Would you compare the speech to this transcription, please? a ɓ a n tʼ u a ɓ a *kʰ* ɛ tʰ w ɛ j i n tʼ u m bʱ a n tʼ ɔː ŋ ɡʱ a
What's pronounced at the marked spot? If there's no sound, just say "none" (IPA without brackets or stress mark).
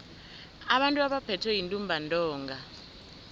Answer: pʰ